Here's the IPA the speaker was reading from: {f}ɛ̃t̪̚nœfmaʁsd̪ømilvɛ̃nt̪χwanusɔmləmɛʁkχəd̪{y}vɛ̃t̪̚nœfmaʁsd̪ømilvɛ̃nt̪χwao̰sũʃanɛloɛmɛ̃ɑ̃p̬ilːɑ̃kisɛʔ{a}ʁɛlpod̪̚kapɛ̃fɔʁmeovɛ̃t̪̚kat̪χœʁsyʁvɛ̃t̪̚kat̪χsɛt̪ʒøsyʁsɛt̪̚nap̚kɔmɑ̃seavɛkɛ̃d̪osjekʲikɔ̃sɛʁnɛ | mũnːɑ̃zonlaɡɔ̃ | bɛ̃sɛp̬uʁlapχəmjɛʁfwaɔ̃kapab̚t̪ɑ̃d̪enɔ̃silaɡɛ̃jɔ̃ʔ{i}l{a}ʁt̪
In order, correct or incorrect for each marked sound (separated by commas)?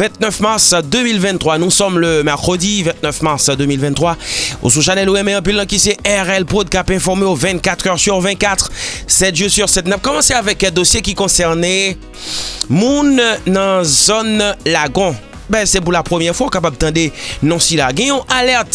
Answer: incorrect, incorrect, incorrect, incorrect, incorrect